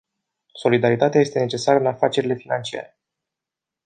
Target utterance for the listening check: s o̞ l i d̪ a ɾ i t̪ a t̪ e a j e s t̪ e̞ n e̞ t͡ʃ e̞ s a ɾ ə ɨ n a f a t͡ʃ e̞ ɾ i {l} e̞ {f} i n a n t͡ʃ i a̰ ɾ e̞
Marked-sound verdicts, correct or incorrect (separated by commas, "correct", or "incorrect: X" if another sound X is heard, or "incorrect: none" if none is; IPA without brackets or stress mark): correct, correct